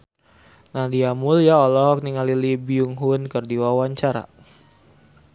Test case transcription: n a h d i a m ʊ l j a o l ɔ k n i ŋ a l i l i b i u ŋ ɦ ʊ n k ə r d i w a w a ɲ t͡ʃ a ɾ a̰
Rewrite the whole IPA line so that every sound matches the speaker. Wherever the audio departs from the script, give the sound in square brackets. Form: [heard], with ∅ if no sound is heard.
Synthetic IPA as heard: n a h d i a m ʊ l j a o l ɔ k n i ŋ a l i l i b i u ŋ ɦ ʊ n k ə r d i w a w a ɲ t͡ʃ a ɾ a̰